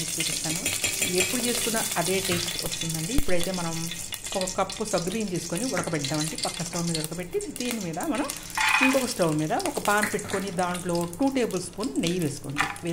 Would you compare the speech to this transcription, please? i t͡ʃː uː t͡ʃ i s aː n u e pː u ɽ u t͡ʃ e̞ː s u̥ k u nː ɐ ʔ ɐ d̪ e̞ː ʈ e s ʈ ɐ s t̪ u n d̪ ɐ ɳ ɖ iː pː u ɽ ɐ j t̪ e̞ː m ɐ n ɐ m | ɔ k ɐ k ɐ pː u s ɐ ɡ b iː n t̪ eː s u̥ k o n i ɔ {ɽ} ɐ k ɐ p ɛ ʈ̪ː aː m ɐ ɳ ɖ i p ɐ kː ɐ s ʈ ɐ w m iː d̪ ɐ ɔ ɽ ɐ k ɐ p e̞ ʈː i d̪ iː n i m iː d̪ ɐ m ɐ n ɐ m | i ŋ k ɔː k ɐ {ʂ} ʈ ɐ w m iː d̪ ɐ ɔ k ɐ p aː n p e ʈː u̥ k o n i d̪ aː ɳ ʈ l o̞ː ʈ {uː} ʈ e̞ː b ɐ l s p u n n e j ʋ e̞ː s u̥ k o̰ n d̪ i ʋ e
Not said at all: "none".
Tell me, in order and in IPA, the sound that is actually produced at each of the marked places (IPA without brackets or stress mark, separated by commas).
ɽ, s, uː